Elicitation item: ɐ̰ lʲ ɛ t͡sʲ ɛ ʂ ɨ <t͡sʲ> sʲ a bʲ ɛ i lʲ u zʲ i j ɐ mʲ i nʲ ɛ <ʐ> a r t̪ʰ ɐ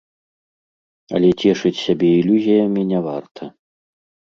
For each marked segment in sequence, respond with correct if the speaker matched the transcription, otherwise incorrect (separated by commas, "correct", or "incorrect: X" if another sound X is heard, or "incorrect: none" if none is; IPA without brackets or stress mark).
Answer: correct, incorrect: v